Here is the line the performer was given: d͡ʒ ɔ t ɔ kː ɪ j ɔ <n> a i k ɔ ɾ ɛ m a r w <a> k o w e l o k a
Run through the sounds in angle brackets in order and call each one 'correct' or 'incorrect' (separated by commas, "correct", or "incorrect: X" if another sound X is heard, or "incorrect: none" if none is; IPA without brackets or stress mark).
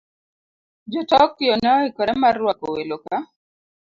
correct, correct